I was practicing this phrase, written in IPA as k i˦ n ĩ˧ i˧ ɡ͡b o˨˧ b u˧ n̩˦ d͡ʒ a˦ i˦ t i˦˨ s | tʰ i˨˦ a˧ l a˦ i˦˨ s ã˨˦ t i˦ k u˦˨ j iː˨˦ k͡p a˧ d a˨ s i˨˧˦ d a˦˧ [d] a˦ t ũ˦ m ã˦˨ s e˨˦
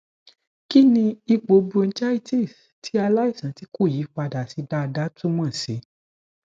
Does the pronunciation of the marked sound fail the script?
no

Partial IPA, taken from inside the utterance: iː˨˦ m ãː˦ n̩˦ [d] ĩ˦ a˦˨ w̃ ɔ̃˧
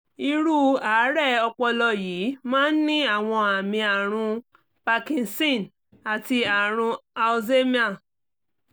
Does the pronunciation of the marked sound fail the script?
yes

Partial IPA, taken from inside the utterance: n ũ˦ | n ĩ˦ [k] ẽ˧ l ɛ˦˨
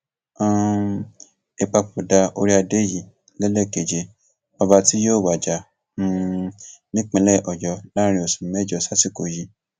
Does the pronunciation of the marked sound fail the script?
yes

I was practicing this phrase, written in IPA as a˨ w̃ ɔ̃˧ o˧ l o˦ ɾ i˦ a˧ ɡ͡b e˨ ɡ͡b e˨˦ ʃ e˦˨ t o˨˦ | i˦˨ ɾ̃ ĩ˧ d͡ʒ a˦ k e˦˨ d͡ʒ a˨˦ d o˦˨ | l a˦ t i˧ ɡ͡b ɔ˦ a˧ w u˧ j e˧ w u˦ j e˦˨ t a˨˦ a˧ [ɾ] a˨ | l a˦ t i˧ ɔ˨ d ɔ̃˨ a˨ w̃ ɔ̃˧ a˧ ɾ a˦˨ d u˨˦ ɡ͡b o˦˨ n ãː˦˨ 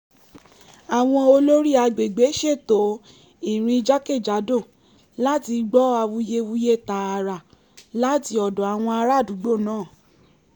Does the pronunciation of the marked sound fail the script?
no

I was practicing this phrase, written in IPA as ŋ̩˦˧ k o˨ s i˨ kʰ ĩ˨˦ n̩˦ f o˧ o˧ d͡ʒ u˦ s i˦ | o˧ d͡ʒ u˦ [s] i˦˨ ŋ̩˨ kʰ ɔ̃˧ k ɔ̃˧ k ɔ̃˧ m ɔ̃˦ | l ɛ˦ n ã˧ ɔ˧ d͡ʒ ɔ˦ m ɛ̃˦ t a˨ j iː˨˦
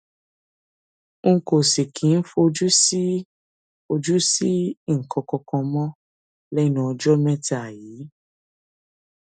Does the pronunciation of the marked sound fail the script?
no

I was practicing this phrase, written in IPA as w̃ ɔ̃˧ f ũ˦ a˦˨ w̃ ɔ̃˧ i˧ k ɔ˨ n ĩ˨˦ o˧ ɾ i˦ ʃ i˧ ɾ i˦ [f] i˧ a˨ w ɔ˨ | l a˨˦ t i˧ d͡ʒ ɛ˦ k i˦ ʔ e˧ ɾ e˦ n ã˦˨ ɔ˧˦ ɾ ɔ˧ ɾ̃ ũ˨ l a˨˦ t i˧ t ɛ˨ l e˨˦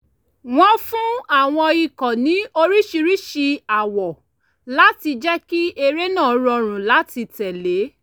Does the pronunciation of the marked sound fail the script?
yes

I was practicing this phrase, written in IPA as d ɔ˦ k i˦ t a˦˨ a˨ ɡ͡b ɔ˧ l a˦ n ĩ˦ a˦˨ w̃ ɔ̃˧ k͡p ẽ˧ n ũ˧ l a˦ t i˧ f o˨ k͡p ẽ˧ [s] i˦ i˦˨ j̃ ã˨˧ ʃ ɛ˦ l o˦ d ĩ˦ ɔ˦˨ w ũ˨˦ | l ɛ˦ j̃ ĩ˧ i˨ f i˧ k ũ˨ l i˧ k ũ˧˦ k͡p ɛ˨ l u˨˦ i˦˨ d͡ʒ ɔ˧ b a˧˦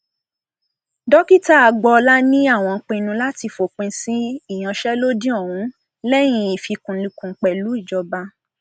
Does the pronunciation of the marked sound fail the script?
no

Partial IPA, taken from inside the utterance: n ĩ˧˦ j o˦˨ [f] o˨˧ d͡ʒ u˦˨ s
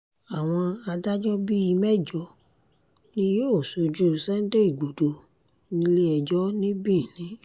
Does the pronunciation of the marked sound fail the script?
yes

